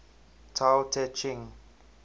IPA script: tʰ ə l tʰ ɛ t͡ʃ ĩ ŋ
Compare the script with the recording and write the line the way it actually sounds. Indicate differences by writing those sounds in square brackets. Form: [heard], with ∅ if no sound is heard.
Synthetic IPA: tʰ [a] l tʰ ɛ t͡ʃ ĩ ŋ